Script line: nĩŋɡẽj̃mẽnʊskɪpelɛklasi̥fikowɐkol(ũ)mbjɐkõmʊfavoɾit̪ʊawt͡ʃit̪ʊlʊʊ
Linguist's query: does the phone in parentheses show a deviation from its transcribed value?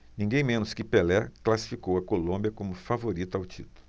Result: yes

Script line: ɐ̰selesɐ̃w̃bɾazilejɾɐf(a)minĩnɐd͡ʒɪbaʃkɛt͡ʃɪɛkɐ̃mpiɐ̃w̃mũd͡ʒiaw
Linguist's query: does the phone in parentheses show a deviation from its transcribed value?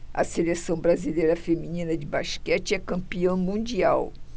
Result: yes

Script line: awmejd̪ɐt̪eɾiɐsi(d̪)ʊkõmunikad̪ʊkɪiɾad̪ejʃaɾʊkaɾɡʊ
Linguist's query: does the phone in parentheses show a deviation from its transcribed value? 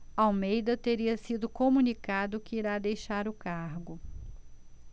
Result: no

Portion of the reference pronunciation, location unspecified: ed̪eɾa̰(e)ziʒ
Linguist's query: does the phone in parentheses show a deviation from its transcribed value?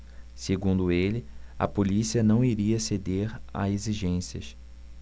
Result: no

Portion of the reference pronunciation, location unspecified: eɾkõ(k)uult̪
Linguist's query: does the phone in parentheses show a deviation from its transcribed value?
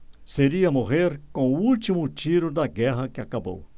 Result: yes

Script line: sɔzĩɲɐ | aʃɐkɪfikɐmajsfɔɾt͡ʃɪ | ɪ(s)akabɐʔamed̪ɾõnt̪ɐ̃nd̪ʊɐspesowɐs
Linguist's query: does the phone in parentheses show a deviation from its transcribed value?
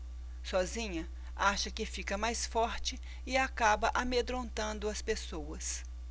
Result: yes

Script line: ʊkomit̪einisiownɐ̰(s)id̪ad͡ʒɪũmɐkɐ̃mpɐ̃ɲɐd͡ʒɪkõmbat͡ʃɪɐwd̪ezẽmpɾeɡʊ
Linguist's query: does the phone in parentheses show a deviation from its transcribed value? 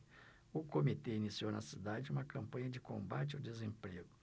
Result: no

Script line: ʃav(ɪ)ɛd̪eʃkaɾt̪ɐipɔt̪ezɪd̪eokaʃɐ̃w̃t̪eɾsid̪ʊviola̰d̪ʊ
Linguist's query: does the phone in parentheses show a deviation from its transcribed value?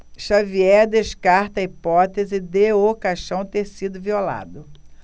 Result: yes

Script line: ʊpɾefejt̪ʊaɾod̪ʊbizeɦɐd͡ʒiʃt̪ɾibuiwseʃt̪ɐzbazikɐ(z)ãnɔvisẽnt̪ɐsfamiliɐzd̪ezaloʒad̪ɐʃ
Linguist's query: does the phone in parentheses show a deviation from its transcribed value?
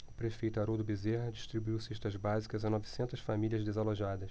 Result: no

